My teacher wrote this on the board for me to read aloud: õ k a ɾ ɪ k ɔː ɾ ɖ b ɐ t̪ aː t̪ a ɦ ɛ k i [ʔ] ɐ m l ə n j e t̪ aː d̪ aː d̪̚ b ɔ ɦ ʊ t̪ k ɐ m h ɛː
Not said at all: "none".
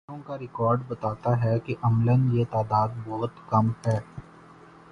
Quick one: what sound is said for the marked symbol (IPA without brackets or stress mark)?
ʔ